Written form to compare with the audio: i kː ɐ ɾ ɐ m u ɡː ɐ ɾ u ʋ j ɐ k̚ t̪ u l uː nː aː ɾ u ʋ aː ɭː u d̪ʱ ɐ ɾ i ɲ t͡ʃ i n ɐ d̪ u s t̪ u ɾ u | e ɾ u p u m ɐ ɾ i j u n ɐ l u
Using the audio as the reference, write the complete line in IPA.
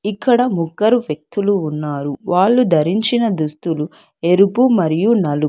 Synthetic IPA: i kː ɐ ɽ ɐ m u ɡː ɐ ɾ u ʋ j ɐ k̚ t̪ u l uː nː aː ɾ u ʋ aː ɭː u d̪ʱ ɐ ɾ i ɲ t͡ʃ i n ɐ d̪ u s t̪ u l u | e ɾ u p u m ɐ ɾ i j u n ɐ l u

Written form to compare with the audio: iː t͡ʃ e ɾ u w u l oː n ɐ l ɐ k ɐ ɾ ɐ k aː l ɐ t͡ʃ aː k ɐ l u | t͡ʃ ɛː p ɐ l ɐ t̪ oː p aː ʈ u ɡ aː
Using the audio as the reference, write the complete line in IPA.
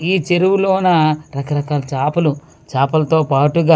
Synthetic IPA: iː t͡ʃ e ɾ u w u l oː n ɐ ɾ ɐ k ɐ ɾ ɐ k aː l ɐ t͡ʃ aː p ɐ l u | t͡ʃ aː p ɐ l ɐ t̪ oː p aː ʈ u ɡ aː

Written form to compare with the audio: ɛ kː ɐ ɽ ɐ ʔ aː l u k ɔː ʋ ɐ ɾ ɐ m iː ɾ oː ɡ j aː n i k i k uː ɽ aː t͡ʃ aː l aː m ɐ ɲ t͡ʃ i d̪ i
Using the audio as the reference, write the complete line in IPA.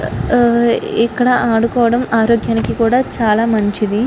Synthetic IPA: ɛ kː ɐ ɽ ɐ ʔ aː ɽ u k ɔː ʋ ɐ ɽ ɐ m aː ɾ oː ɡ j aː n i k i k uː ɽ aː t͡ʃ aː l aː m ɐ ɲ t͡ʃ i d̪ i

